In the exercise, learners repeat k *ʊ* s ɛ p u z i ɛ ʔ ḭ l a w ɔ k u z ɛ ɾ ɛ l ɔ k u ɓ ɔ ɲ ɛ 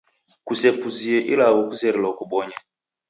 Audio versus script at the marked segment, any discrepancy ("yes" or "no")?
yes